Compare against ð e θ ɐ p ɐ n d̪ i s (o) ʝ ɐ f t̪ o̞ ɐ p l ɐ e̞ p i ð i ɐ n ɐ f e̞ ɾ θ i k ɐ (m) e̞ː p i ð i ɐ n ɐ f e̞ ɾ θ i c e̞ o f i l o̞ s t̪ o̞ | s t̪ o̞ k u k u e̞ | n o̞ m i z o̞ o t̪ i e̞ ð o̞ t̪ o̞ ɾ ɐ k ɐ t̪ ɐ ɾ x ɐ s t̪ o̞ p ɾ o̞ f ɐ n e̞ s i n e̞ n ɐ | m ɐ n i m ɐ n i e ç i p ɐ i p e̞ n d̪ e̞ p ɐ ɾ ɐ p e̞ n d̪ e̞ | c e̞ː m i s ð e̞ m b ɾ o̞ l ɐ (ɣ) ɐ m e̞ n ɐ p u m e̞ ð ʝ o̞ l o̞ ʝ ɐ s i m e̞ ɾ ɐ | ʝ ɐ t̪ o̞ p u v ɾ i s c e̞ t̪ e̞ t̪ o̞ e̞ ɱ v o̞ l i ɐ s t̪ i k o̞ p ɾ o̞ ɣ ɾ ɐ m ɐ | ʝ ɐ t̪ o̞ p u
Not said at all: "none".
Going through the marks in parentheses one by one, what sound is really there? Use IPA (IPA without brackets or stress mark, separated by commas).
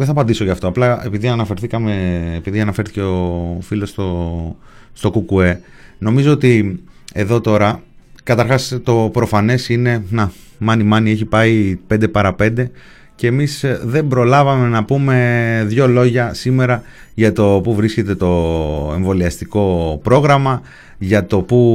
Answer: o, m, v